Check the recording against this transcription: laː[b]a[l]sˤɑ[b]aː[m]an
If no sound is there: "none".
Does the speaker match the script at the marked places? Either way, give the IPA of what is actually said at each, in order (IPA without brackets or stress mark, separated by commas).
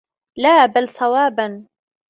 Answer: b, l, w, b